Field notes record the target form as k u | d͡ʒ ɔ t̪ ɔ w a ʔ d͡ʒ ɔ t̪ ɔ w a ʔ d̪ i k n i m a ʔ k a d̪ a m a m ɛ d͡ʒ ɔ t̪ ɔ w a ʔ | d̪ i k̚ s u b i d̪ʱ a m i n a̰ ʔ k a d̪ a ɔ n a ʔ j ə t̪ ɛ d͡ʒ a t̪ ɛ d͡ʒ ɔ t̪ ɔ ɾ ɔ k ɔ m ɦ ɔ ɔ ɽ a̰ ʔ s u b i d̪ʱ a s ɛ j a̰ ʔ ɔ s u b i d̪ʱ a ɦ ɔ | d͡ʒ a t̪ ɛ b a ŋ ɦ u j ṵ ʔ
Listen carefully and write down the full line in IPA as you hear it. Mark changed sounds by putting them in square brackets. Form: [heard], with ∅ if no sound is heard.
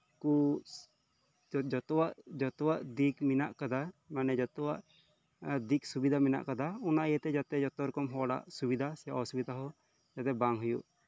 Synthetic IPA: k u | d͡ʒ ɔ t̪ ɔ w a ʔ d͡ʒ ɔ t̪ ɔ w a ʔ d̪ i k [m] i [n] a ʔ k a d̪ a m a [n] ɛ d͡ʒ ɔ t̪ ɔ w a ʔ | d̪ i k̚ s u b i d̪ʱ a m i n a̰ ʔ k a d̪ a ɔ n a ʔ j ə t̪ ɛ d͡ʒ a t̪ ɛ d͡ʒ ɔ t̪ ɔ ɾ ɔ k ɔ m ɦ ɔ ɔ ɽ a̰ ʔ s u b i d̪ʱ a s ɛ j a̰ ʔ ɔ s u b i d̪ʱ a ɦ ɔ | d͡ʒ a t̪ ɛ b a ŋ ɦ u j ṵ ʔ